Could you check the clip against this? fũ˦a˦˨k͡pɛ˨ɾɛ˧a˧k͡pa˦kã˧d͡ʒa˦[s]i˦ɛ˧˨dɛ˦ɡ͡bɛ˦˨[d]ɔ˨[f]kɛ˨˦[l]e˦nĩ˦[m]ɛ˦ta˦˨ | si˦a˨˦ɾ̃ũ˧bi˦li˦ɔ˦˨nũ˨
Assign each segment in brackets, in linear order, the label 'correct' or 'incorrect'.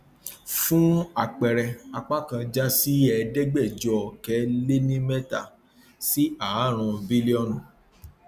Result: correct, incorrect, incorrect, correct, correct

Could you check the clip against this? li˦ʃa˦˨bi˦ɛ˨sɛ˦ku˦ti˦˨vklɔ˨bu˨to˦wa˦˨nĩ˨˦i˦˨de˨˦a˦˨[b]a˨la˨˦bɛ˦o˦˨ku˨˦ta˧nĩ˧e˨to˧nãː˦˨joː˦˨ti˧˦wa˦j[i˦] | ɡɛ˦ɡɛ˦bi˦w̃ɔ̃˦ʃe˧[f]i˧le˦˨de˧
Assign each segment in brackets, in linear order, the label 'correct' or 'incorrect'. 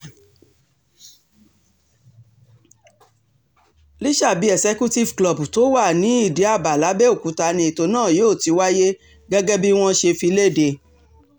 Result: correct, incorrect, correct

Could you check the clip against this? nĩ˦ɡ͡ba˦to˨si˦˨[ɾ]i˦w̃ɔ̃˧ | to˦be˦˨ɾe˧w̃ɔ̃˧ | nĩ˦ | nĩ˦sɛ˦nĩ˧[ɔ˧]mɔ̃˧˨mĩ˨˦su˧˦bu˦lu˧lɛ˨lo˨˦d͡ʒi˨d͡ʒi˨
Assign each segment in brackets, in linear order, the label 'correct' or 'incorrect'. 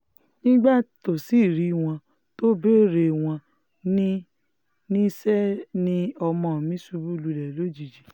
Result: correct, correct

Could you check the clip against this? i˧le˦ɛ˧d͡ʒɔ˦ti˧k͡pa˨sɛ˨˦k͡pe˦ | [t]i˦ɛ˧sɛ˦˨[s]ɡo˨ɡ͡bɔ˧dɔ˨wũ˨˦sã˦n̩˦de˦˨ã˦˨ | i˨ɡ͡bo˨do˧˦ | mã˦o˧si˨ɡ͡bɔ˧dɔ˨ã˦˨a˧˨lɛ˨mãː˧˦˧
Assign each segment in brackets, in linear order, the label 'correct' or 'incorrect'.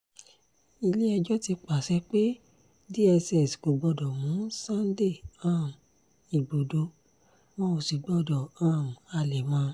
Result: incorrect, correct

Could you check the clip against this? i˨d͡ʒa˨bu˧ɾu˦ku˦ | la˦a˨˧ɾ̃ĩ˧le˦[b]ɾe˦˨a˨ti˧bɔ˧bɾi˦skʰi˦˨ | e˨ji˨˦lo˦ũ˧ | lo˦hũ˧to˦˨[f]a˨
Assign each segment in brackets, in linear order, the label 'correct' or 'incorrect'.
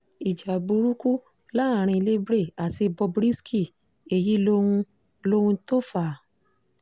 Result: correct, correct

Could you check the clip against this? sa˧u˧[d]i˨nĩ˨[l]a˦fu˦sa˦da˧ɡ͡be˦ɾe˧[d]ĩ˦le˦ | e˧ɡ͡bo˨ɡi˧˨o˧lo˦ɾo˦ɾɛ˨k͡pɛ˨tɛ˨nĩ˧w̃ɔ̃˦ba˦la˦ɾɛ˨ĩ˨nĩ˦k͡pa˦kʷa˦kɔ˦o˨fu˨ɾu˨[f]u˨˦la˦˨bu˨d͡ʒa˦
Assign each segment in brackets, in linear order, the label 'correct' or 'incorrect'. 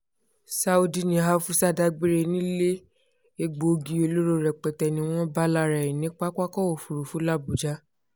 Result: correct, incorrect, incorrect, correct

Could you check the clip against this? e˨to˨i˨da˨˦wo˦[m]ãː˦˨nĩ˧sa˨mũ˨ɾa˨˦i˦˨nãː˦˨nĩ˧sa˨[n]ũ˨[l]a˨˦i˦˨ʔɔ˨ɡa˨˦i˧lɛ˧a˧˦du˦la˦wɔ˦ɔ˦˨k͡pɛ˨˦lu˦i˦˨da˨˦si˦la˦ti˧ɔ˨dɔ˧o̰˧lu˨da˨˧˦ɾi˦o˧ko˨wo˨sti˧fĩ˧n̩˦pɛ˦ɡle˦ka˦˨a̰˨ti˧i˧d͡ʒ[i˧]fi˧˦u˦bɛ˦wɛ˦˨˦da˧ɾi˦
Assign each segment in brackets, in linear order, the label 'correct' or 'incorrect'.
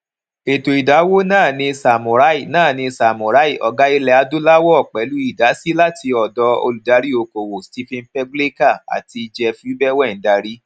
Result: incorrect, incorrect, incorrect, incorrect

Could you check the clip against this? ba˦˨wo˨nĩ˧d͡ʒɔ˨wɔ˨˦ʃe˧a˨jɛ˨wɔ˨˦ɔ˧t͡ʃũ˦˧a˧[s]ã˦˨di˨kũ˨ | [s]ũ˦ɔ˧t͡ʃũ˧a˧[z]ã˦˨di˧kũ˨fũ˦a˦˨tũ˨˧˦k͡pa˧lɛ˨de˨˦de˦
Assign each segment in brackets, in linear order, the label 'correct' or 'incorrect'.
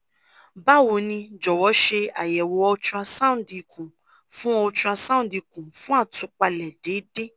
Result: correct, incorrect, incorrect

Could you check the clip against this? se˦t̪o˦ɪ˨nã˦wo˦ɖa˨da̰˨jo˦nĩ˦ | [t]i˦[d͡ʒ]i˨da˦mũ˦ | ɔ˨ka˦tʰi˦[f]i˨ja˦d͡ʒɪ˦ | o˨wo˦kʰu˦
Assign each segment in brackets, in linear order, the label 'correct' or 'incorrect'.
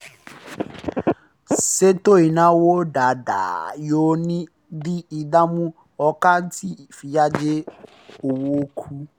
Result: incorrect, incorrect, correct

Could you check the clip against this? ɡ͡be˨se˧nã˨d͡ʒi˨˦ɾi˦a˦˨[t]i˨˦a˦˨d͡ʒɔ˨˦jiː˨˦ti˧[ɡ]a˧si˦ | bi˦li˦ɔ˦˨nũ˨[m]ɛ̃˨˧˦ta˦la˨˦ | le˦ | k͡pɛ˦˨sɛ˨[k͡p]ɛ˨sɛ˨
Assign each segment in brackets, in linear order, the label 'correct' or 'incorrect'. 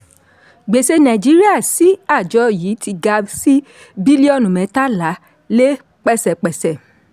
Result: incorrect, correct, correct, correct

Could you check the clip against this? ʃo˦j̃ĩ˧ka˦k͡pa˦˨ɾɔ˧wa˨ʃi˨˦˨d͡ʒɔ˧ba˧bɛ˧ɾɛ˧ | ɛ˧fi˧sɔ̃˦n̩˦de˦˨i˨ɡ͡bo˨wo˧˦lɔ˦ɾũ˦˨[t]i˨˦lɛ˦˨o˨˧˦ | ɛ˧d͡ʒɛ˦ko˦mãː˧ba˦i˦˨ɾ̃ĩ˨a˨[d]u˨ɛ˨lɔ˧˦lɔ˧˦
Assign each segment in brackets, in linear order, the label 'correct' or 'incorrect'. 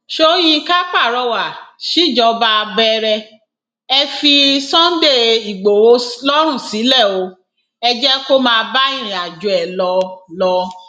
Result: incorrect, incorrect

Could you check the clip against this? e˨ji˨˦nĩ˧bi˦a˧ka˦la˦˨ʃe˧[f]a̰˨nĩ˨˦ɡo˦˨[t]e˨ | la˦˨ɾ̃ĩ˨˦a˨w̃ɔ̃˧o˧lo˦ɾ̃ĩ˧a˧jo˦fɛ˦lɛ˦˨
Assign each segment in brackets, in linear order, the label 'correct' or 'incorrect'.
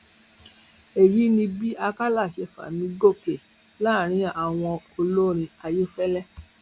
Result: correct, incorrect

